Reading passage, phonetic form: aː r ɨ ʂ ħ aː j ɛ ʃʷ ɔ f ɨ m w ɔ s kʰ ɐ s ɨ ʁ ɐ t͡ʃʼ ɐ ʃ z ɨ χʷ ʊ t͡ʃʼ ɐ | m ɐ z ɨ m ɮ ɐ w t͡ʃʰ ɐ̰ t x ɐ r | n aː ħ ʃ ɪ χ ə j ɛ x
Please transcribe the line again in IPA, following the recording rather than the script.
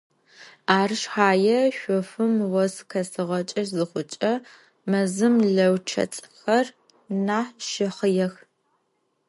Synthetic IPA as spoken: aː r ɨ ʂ ħ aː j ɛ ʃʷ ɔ f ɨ m w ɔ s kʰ ɐ s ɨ ʁ ɐ t͡ʃʼ ɐ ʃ z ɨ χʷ ʊ t͡ʃʼ ɐ | m ɐ z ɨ m ɮ ɐ w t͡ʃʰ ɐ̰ t͡sʼ x ɐ r | n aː ħ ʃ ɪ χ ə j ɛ x

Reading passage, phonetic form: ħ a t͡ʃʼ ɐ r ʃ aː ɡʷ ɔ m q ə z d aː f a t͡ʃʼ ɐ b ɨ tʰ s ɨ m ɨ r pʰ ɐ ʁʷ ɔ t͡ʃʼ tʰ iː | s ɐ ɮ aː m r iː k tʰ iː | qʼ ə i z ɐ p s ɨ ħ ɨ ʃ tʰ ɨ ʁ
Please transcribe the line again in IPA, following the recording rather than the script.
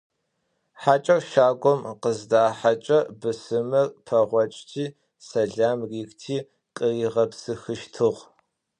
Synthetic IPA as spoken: ħ a t͡ʃʼ ɐ r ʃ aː ɡʷ ɔ m q ə z d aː ħ a t͡ʃʼ ɐ b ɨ s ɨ m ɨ r pʰ ɐ ʁʷ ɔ t͡ʃʼ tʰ iː | s ɐ ɮ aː m r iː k tʰ iː | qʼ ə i ʁ ɐ p s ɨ x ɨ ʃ tʰ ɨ ʁ

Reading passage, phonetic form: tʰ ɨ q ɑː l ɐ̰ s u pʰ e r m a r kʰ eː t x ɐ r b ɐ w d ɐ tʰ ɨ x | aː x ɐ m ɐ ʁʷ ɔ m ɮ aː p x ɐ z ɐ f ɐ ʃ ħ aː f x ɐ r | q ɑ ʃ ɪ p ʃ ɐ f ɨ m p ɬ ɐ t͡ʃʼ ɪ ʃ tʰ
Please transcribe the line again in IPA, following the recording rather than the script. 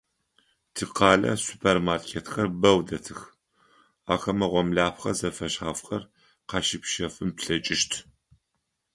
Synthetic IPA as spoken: tʰ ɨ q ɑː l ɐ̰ s u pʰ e r m a r kʰ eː t x ɐ r b ɐ w d ɐ tʰ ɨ x | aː x ɐ m ɐ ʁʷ ɔ m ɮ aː p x ɐ z ɐ f ɐ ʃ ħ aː f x ɐ r | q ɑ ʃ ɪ p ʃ ɐ f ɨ m p ɬ ɐ t͡ʃʼ ɪ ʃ tʰ

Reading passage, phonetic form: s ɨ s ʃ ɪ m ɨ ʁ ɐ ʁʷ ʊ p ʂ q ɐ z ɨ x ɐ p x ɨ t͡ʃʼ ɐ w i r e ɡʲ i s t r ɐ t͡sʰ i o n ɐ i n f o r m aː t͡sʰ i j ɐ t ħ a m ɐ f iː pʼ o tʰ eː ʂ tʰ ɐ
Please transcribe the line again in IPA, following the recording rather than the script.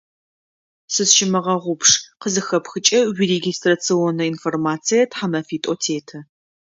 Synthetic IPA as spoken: s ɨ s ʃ ɪ m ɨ ʁ ɐ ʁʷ ʊ p ʂ q ə z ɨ x ɐ p x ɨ t͡ʃʼ ɐ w i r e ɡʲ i s t r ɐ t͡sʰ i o n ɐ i n f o r m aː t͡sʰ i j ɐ t ħ a m ɐ f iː tʼ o tʰ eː tʰ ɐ

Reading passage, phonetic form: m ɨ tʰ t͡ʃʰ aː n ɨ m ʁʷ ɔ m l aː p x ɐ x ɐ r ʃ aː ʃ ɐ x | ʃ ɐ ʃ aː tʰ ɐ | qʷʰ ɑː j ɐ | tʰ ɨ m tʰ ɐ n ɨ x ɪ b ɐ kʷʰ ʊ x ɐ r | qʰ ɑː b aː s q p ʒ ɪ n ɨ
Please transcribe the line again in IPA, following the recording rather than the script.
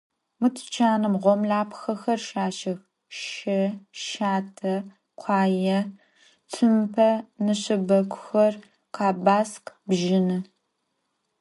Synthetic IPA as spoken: m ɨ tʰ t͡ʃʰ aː n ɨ m ʁʷ ɔ m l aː p x ɐ x ɐ r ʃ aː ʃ ɐ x | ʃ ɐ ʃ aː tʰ ɐ | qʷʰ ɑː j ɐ | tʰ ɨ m pʰ ɐ n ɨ ɕ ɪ b ɐ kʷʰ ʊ x ɐ r | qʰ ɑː b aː s q b ʒ ɪ n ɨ

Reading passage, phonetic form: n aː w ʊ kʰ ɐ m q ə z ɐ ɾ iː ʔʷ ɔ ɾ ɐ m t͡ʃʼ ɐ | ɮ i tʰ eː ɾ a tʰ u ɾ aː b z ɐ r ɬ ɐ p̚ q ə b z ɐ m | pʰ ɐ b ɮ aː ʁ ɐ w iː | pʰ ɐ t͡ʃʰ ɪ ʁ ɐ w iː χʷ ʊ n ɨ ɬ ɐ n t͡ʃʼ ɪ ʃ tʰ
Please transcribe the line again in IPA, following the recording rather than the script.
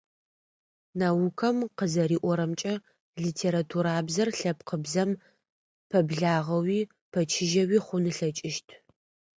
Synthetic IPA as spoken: n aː w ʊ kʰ ɐ m q ə z ɐ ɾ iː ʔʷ ɔ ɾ ɐ m t͡ʃʼ ɐ | ɮ i tʰ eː ɾ a tʰ u ɾ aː b z ɐ r ɬ ɐ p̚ q ə b z ɐ m | pʰ ɐ b ɮ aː ʁ ɐ w iː | pʰ ɐ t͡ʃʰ ɪ ʒ ɐ w iː χʷ ʊ n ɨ ɬ ɐ t͡ʃʼ ɪ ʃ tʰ

